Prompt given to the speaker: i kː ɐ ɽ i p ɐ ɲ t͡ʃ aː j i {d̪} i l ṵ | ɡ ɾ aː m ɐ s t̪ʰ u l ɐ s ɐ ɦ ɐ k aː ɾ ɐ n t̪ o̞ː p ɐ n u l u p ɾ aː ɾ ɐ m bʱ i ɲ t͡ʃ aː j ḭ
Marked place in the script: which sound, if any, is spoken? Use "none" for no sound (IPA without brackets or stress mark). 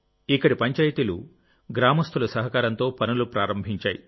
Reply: t̪